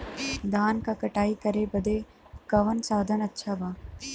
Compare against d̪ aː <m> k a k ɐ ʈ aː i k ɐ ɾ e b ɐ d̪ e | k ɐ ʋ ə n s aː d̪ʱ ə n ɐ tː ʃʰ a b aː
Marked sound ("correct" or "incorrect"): incorrect